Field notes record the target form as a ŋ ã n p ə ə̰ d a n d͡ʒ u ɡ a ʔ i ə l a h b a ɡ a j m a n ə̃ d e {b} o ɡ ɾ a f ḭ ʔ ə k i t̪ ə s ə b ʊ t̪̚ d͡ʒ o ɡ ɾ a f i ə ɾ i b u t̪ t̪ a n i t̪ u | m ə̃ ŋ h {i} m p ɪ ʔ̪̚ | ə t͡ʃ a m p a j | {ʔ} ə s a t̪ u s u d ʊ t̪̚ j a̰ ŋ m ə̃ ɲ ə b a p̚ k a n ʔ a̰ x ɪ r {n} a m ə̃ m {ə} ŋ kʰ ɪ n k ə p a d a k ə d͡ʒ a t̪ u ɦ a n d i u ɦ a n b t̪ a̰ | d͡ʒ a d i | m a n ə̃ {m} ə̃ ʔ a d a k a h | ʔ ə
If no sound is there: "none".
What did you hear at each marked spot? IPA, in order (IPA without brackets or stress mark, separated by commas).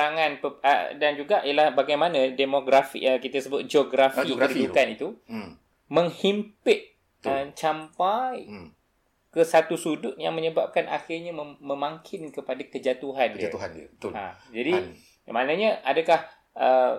m, i, k, ɲ, a, ɲ